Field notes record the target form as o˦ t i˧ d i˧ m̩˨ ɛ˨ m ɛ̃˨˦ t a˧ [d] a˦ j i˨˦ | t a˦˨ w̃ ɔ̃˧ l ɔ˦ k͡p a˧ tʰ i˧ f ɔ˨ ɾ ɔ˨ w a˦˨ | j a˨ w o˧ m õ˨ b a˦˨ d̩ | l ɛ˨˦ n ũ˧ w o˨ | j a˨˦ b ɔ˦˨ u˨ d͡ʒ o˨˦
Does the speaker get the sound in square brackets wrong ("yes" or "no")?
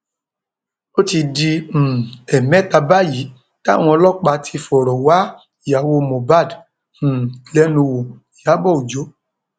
yes